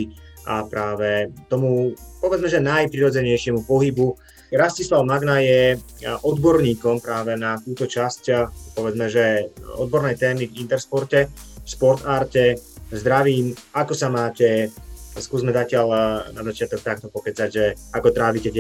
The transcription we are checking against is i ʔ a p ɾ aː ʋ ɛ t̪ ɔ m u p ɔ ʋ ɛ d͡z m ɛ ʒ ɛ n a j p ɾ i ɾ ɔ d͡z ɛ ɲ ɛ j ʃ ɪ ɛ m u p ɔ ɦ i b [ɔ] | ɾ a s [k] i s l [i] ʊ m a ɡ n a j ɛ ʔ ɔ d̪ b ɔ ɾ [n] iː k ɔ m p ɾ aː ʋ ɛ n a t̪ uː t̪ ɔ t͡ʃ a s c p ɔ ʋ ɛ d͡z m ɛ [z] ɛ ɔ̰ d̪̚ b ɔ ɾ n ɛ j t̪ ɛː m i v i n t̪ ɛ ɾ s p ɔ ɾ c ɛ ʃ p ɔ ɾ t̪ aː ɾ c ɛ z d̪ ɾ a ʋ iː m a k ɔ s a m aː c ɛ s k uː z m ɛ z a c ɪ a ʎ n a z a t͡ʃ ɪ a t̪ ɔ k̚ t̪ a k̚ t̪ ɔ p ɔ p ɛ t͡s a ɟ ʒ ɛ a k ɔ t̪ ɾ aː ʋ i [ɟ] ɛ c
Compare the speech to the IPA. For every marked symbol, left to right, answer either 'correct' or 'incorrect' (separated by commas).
incorrect, incorrect, incorrect, incorrect, incorrect, incorrect